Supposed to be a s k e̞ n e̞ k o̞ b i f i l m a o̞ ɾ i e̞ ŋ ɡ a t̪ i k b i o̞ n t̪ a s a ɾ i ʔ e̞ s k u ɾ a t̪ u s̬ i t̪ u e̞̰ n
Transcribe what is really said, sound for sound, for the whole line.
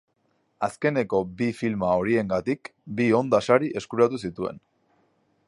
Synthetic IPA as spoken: a s k e̞ n e̞ k o̞ b i f i l m a o̞ ɾ i e̞ ŋ ɡ a t̪ i k b i o̞ n d̪ a s a ɾ i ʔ e̞ s k u ɾ a t̪ u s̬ i t̪ u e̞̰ n